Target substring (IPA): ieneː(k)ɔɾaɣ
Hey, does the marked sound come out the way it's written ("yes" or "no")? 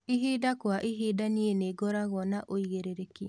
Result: no